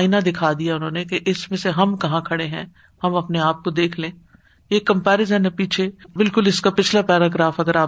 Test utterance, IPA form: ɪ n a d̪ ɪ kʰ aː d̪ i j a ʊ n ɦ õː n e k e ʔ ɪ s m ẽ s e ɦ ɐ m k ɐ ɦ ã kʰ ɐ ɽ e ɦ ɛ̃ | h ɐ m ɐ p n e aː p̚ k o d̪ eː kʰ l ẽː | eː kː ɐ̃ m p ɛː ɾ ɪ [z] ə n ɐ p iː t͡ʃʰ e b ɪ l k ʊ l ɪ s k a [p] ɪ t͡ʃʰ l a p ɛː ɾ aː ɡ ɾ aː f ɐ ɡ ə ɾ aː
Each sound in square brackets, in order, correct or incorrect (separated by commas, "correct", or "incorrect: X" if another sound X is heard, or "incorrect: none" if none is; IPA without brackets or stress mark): correct, correct